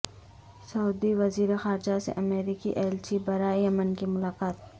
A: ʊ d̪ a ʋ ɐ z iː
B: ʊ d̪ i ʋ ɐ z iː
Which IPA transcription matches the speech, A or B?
B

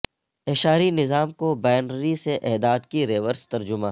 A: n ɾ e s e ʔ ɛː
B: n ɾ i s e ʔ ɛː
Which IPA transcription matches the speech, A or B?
B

